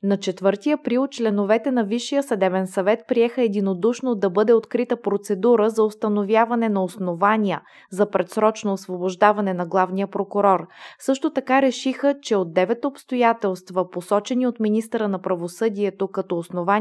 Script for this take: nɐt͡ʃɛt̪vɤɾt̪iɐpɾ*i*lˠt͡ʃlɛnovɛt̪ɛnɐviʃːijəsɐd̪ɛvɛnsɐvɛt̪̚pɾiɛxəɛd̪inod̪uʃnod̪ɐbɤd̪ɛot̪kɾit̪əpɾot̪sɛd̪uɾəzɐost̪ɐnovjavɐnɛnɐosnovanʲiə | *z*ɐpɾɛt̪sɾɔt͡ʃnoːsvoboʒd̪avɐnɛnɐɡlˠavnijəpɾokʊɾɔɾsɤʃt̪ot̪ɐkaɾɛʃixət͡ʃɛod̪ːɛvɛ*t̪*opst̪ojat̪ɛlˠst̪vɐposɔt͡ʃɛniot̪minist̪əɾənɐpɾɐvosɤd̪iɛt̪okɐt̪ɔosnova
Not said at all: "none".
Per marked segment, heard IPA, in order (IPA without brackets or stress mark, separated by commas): i, z, t̪